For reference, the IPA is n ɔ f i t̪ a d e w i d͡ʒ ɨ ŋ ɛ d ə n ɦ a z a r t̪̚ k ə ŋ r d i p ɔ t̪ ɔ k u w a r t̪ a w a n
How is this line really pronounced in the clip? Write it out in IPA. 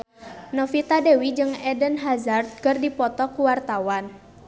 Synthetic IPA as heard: n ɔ f i t̪ a d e w i d͡ʒ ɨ ŋ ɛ d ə n ɦ a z a r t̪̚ k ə r d i p ɔ t̪ ɔ k u w a r t̪ a w a n